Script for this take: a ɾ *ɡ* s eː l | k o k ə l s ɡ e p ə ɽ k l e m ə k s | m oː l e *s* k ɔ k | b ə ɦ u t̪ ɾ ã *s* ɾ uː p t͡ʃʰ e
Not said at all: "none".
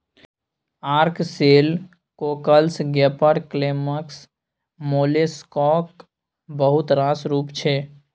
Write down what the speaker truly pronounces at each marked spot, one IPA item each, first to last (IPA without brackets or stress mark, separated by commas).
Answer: k, s, s